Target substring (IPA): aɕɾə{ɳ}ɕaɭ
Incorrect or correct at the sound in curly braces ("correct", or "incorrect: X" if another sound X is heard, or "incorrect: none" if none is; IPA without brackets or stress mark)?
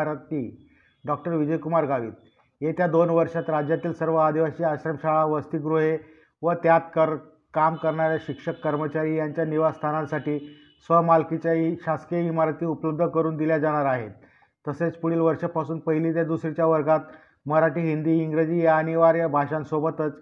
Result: incorrect: m